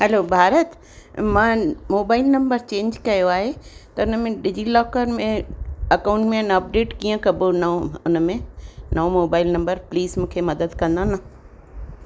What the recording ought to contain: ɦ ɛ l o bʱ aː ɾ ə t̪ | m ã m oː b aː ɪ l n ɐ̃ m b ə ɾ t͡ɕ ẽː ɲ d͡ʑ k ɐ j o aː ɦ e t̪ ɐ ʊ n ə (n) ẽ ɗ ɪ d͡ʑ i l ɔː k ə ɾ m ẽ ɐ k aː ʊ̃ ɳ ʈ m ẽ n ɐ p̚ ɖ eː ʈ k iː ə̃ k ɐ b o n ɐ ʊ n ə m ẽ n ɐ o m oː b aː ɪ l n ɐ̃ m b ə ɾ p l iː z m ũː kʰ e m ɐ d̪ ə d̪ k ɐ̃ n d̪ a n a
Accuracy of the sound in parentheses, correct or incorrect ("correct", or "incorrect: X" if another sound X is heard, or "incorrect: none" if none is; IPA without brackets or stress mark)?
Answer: incorrect: m